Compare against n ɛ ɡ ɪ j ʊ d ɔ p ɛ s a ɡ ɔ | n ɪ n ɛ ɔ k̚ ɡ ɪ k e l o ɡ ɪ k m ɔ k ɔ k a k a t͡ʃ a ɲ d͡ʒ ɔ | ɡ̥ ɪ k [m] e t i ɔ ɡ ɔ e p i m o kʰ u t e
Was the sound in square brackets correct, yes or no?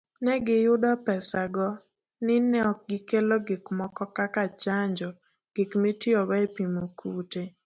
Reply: yes